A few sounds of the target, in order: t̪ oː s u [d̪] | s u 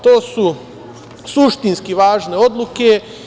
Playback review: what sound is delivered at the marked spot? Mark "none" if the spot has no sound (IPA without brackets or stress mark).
none